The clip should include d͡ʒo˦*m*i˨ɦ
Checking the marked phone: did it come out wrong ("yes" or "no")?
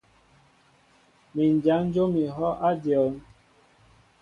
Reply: no